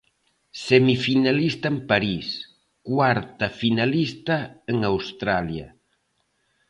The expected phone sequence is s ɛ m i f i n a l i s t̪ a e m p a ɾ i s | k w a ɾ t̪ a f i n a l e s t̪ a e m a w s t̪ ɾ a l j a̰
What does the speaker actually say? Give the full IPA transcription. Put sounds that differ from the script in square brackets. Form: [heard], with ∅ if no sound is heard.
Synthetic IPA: s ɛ m i f i n a l i s t̪ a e m p a ɾ i s | k w a ɾ t̪ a f i n a l [i] s t̪ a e [ŋ] a w s t̪ ɾ a l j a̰